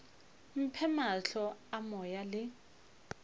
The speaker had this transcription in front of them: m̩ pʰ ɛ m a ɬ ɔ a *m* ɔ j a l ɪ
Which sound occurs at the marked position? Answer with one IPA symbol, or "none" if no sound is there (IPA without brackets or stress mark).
m